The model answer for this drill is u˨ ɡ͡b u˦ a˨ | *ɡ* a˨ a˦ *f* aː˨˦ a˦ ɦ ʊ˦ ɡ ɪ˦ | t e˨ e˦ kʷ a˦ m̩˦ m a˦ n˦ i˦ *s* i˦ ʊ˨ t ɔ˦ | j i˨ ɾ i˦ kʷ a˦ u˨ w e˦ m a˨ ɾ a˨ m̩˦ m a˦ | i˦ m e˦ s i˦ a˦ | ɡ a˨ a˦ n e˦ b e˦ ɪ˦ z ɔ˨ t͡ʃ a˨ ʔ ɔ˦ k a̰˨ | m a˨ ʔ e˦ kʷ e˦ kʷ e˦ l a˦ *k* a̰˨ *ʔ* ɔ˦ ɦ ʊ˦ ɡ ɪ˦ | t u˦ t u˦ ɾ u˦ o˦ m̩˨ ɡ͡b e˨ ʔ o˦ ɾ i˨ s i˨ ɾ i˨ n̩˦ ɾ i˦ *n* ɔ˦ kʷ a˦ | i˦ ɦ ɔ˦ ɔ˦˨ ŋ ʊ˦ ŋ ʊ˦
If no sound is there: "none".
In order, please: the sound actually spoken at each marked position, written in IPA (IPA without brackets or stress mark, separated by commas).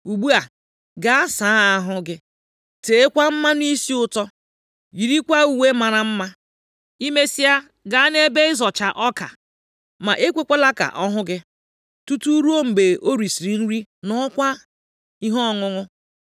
ɡ, s, s, k, ʔ, n